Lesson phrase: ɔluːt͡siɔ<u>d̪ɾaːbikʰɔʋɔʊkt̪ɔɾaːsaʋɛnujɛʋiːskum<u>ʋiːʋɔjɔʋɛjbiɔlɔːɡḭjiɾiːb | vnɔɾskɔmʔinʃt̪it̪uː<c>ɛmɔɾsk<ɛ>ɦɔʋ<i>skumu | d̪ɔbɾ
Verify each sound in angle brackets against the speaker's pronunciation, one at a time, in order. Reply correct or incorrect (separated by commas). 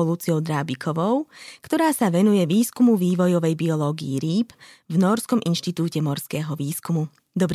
incorrect, correct, correct, incorrect, incorrect